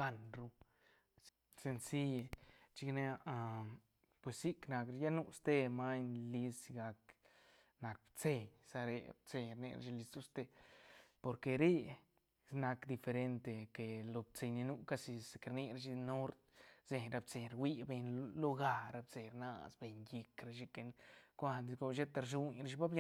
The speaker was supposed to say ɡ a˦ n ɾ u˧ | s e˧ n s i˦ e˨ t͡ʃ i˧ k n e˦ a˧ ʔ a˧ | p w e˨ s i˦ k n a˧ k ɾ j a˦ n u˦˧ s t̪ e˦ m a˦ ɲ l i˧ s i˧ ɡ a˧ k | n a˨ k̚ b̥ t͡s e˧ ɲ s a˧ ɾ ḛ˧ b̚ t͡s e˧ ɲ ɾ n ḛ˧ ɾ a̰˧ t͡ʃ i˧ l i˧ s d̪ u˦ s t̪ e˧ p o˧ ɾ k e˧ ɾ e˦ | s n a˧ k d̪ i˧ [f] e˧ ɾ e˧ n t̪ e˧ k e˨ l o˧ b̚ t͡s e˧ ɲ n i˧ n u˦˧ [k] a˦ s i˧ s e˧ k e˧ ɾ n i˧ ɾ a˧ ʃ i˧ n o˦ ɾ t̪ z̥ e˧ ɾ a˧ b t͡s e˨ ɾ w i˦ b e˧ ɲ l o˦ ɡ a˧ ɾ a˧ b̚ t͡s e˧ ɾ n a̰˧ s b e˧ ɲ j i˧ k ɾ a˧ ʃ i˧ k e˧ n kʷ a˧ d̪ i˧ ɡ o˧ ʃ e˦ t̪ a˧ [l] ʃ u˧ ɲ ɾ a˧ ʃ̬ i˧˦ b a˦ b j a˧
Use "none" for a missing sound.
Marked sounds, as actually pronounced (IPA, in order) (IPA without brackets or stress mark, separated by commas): f, k, ɾ